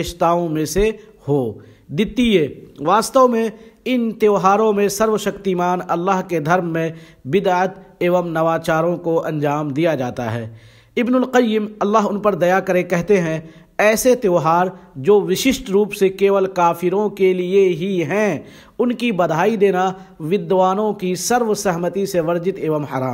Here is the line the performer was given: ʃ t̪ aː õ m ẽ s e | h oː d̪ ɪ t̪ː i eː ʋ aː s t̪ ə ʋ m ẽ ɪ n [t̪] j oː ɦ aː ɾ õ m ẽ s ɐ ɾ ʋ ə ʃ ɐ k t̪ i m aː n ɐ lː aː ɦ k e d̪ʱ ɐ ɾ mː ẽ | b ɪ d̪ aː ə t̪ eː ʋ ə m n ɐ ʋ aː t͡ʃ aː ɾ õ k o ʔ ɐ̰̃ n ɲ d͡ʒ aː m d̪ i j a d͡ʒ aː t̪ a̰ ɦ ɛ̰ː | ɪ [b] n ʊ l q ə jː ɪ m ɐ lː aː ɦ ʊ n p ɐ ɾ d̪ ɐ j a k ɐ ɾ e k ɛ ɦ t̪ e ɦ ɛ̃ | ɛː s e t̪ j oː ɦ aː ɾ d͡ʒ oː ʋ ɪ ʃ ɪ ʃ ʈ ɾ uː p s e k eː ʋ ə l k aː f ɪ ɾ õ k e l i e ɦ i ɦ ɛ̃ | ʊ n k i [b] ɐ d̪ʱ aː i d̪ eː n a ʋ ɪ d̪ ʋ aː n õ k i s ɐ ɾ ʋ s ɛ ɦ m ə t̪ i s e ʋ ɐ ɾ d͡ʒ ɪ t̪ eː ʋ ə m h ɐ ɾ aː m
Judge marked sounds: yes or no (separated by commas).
yes, yes, yes